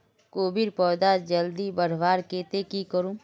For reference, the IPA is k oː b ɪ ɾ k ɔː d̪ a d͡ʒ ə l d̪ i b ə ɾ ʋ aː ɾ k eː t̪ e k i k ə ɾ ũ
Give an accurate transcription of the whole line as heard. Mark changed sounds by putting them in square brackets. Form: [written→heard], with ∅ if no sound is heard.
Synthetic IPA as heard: k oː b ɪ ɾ [k→p] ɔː d̪ a d͡ʒ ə l d̪ i b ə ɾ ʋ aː ɾ k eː t̪ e k i k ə ɾ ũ